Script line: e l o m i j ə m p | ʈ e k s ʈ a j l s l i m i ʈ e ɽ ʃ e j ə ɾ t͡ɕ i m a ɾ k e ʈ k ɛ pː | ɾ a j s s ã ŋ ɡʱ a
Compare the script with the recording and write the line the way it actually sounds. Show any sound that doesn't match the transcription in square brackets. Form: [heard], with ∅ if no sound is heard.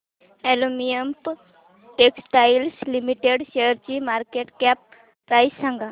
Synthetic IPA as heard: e l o m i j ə m p | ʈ e k s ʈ a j l s l i m i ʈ e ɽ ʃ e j ə ɾ t͡ɕ i m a ɾ k e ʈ k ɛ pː | ɾ a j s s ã ŋ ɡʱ a